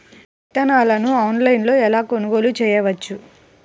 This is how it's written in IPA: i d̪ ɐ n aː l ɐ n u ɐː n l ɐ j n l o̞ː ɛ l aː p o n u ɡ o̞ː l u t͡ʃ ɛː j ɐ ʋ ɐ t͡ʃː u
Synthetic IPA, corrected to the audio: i t̪ ɐ n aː l ɐ n u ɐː n l ɐ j n l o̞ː ɛ l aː k o n u ɡ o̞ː l u t͡ʃ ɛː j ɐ ʋ ɐ t͡ʃː u